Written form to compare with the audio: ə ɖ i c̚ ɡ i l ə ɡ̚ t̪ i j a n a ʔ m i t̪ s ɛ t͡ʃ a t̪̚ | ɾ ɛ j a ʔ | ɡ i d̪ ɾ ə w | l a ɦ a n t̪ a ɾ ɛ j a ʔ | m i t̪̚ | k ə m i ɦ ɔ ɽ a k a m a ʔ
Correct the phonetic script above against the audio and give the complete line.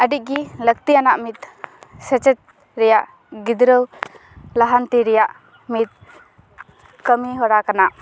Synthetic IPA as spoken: ə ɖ i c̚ ɡ i l ə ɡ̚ t̪ i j a n a ʔ m i t̪ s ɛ t͡ʃ ɛ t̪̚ | ɾ ɛ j a ʔ | ɡ i d̪ ɾ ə w | l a ɦ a n t̪ i ɾ ɛ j a ʔ | m i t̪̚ | k ə m i ɦ ɔ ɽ a k a n a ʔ